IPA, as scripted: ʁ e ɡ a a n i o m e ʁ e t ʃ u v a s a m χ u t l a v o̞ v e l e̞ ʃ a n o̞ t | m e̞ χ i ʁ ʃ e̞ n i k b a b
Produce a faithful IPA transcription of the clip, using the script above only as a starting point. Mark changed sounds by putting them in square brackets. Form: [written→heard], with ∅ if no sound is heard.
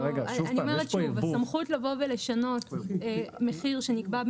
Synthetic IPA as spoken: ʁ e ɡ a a n i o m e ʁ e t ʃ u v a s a m χ u t l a v o̞ v e l e̞ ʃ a n o̞ t | m e̞ χ i ʁ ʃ e̞ n i k b a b